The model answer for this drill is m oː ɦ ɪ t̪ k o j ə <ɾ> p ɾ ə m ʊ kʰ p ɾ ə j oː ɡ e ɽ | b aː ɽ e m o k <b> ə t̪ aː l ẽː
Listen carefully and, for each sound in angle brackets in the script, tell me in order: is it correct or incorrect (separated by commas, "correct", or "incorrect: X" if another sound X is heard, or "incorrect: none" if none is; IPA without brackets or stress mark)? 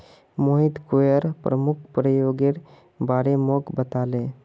correct, correct